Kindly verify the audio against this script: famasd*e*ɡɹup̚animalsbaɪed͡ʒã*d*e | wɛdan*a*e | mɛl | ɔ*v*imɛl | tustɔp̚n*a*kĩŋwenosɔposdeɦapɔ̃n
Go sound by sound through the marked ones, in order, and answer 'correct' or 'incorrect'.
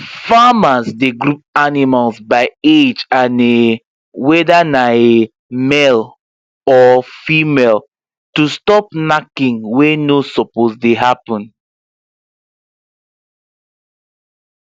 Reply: correct, incorrect: n, correct, incorrect: f, correct

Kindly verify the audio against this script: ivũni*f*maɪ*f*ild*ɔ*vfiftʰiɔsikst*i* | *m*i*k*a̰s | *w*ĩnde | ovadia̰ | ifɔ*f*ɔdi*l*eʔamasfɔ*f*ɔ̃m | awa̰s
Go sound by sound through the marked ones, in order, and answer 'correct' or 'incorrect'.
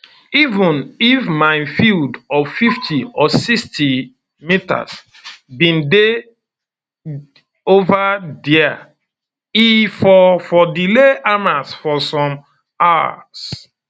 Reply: correct, correct, correct, correct, correct, incorrect: t, incorrect: b, correct, correct, incorrect: s

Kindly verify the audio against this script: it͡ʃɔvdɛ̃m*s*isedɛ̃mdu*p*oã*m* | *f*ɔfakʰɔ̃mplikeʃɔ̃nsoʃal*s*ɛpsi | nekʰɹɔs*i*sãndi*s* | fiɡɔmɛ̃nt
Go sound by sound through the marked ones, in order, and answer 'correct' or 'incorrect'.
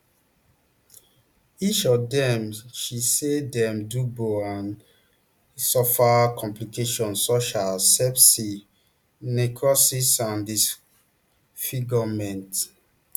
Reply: incorrect: ʃ, incorrect: b, incorrect: n, incorrect: s, correct, correct, correct

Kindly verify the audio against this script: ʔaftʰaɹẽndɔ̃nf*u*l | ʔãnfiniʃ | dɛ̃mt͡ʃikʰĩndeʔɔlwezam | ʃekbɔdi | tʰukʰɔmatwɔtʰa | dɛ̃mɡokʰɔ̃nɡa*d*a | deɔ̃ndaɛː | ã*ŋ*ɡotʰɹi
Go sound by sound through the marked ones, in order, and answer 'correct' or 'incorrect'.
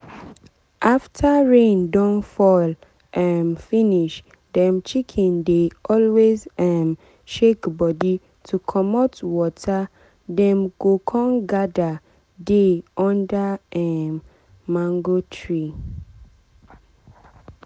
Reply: incorrect: ɔ, correct, correct

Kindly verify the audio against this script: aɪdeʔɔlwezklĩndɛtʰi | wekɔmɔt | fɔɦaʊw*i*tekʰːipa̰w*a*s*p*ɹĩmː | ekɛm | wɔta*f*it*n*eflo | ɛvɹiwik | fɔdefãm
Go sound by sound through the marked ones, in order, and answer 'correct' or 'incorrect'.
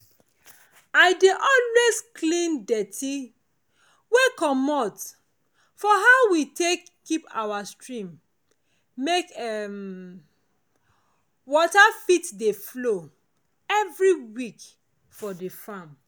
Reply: correct, correct, incorrect: t, correct, incorrect: d

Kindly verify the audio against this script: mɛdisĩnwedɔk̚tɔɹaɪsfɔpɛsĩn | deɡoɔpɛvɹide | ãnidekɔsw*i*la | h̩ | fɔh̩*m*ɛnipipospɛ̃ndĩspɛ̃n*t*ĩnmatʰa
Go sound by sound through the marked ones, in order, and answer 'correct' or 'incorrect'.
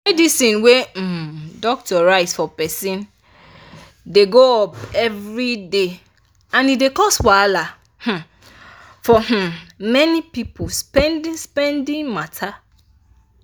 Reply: incorrect: a, correct, incorrect: d

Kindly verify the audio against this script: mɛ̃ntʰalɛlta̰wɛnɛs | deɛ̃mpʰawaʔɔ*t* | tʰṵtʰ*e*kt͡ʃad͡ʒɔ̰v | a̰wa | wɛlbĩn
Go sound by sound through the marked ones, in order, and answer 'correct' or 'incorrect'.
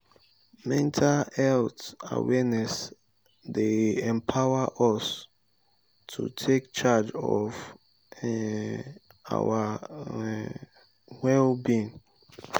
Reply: incorrect: s, correct

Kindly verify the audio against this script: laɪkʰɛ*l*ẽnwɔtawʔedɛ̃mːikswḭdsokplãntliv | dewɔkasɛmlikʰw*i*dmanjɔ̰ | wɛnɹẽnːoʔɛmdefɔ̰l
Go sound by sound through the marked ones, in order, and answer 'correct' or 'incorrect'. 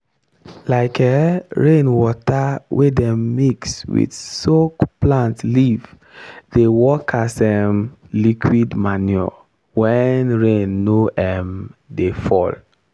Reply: incorrect: ɹ, correct

